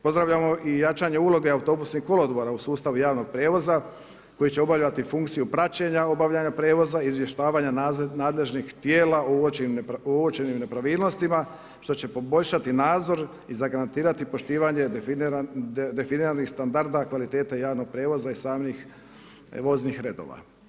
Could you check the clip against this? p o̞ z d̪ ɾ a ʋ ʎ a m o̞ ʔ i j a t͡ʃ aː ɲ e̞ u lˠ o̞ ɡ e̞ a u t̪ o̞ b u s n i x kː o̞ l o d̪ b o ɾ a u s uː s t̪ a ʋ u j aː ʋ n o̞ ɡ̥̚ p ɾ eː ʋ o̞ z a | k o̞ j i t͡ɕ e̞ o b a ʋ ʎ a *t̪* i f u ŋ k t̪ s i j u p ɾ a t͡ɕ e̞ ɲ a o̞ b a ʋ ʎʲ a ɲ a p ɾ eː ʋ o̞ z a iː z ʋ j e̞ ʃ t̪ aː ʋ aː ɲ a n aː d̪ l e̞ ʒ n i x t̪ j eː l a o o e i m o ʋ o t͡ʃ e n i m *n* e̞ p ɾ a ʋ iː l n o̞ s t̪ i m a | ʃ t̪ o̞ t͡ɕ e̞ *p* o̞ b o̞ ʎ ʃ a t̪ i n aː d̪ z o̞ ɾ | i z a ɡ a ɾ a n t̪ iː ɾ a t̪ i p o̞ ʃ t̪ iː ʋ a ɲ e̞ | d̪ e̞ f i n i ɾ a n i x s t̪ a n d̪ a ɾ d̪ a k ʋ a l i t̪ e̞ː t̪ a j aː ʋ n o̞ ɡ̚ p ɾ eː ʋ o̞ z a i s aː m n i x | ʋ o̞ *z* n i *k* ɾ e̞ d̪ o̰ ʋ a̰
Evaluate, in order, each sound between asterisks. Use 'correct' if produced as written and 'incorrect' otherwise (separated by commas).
correct, correct, correct, correct, incorrect